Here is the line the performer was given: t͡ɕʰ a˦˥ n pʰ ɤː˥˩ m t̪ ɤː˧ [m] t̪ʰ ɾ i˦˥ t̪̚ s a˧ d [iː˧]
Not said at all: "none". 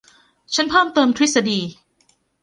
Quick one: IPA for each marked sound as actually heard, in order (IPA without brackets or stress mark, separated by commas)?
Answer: m, iː˧